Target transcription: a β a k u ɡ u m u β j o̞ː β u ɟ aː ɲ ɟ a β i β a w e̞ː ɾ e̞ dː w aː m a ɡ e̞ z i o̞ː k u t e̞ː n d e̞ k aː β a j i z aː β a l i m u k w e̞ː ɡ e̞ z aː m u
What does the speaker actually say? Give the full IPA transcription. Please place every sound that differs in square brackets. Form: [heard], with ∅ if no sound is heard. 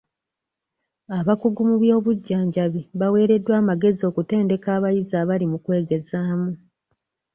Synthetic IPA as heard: a β a k u ɡ u m u β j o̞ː β u [ɟː] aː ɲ ɟ a β i β a w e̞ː ɾ e̞ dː w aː m a ɡ e̞ z i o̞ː k u t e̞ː n d e̞ k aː β a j i z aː β a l i m u k w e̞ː ɡ e̞ z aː m u

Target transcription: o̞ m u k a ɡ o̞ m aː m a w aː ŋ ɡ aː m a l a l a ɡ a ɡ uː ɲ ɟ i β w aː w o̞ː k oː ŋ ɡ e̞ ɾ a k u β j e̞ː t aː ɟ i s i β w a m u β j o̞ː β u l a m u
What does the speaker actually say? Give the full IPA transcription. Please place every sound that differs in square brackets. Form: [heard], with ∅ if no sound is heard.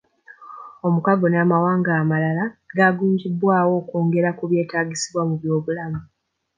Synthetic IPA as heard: o̞ m u k a ɡ o̞ [n] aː m a w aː ŋ ɡ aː m a l a l a ɡ a ɡ uː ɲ ɟ i [b] w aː w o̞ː k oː ŋ ɡ e̞ ɾ a k u β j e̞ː t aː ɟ i s i β w a m u β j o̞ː β u l a m u

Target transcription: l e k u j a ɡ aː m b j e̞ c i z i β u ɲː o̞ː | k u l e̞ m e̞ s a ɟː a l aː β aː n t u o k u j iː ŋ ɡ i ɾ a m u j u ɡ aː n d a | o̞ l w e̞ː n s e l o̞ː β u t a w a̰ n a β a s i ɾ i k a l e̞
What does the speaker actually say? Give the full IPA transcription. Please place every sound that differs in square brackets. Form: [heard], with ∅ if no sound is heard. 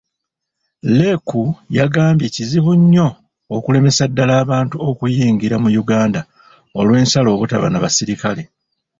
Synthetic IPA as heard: l e k u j a ɡ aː m b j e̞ c i z i β u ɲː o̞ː | k u l e̞ m e̞ s a [dː] a l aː β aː n t u o k u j iː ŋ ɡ i ɾ a m u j u ɡ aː n d a | o̞ l w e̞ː n s [a] l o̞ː β u t a [β] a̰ n a β a s i ɾ i k a l e̞

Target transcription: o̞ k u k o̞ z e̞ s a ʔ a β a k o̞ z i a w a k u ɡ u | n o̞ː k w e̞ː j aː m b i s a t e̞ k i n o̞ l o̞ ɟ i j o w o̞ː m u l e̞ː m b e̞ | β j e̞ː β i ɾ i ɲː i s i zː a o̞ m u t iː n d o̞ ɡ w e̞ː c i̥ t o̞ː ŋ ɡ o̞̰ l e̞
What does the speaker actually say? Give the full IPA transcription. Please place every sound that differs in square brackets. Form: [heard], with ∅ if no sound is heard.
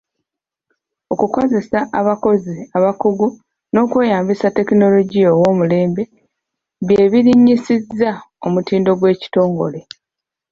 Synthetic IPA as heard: o̞ k u k o̞ z e̞ s a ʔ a β a k o̞ z i a [β] a k u ɡ u | n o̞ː k w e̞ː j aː m b i s a t e̞ k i n o̞ l o̞ ɟ i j o w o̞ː m u l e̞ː m b e̞ | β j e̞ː β i ɾ i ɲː i s i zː a o̞ m u t iː n d o̞ ɡ w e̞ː c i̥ t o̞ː ŋ ɡ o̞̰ l e̞

